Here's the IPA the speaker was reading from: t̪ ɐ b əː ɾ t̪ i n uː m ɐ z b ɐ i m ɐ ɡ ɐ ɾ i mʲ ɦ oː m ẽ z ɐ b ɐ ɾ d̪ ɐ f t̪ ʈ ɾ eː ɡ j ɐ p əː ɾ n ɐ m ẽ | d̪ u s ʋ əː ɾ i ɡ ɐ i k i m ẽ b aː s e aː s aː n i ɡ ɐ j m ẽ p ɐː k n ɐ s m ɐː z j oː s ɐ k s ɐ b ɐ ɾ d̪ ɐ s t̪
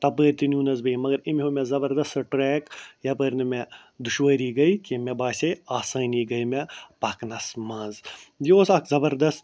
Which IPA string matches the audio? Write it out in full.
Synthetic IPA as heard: t̪ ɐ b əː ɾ t̪ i n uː n ɐ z b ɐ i m ɐ ɡ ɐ ɾ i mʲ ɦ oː m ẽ z ɐ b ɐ ɾ d̪ ɐ s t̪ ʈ ɾ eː k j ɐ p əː ɾ n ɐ m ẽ | d̪ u ʃ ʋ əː ɾ i ɡ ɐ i k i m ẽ b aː s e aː s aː n i ɡ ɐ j m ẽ p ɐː k n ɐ s m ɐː z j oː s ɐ k z ɐ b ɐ ɾ d̪ ɐ s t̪